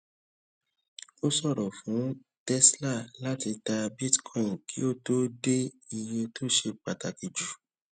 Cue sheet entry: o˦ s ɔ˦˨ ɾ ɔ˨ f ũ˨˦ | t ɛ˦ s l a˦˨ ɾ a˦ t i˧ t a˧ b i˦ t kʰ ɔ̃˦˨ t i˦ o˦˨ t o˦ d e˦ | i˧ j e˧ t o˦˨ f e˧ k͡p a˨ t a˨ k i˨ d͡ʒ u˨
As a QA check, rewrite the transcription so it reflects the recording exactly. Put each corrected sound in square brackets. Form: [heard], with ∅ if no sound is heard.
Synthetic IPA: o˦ s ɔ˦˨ ɾ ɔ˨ f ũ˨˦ | t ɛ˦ s l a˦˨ [l] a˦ t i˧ t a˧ b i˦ t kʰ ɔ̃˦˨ [k] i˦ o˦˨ t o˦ d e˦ | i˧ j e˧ t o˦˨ [ʃ] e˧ k͡p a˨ t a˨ k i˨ d͡ʒ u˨